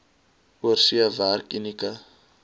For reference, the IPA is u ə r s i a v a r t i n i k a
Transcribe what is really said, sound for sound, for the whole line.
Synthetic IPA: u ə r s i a v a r k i n i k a